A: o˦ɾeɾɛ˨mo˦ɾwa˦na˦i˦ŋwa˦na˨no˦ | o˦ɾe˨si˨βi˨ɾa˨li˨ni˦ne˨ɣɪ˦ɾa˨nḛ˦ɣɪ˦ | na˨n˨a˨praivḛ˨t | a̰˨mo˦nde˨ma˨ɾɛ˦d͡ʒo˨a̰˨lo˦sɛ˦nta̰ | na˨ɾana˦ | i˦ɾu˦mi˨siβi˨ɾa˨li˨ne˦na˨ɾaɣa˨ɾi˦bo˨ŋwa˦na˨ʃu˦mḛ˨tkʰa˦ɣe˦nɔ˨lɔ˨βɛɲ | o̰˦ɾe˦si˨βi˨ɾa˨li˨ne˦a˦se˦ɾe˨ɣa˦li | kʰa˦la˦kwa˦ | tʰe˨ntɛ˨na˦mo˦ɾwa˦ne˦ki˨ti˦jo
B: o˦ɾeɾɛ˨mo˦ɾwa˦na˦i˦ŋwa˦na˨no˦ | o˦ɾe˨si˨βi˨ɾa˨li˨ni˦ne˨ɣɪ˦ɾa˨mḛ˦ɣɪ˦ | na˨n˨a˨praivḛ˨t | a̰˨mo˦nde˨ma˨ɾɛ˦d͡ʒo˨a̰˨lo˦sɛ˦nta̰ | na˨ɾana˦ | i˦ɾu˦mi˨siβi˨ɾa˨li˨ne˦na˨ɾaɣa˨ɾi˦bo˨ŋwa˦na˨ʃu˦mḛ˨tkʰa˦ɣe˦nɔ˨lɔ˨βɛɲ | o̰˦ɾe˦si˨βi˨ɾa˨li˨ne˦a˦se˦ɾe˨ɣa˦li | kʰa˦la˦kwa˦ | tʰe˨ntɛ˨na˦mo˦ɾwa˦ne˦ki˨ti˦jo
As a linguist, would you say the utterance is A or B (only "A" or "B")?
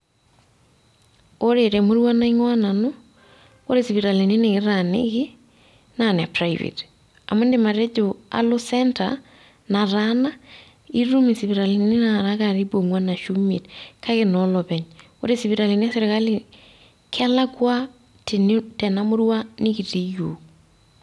A